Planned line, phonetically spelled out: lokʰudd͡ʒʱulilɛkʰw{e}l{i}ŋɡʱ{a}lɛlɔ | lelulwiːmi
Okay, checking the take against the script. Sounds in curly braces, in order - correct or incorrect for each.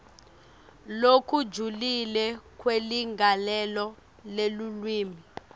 correct, correct, correct

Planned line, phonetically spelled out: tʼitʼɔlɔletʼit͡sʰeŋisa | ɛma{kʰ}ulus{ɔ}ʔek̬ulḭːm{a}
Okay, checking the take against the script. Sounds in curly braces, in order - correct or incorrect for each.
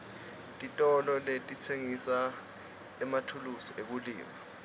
incorrect, correct, correct

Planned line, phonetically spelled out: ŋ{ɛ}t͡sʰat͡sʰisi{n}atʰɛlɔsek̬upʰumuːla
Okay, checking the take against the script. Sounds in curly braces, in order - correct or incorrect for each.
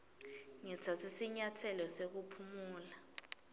correct, incorrect

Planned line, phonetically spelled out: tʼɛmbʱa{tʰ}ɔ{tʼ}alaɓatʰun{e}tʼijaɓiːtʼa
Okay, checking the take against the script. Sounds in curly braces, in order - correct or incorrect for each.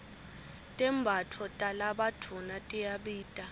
correct, correct, incorrect

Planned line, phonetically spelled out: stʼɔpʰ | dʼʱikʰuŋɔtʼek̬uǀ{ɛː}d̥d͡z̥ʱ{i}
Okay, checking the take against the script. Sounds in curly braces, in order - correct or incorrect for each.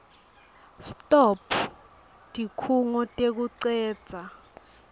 correct, incorrect

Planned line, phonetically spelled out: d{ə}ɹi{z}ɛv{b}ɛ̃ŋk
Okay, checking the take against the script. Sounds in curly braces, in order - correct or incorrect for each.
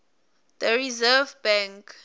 correct, correct, correct

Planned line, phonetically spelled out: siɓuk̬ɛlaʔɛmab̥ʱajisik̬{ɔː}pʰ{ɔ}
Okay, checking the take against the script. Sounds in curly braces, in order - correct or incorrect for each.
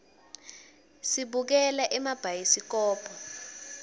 correct, correct

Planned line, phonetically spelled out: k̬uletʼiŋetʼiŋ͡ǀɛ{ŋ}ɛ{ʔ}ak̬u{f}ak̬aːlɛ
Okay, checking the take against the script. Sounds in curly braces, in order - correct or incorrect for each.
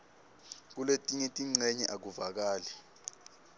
incorrect, correct, incorrect

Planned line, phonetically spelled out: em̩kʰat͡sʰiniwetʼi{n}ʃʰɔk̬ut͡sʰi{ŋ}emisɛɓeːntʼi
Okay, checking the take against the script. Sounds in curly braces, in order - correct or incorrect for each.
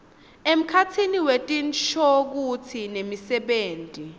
correct, incorrect

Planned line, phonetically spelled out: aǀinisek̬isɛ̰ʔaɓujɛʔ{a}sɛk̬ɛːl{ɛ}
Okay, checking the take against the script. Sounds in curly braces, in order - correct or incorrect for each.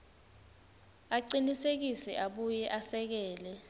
correct, correct

